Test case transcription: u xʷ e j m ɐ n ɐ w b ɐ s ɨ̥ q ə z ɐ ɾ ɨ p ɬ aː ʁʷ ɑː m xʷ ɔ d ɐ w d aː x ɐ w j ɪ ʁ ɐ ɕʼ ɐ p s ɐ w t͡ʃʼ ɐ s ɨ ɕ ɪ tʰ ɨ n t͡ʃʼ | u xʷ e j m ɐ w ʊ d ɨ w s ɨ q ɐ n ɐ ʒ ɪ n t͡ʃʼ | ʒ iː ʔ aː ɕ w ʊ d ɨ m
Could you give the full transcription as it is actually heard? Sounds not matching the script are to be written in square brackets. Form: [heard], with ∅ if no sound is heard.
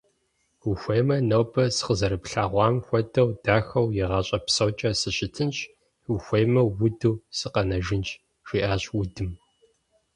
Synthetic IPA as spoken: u xʷ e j m ɐ n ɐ w b ɐ s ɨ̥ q ə z ɐ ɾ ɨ p ɬ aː ʁʷ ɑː m xʷ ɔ d ɐ w d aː x ɐ w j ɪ ʁ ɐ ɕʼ ɐ p s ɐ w t͡ʃʼ ɐ s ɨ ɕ ɪ tʰ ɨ n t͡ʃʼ | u xʷ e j m ɐ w ʊ d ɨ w s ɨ q ɐ n ɐ ʒ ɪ n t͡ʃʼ | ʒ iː ʔ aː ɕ w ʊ d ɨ m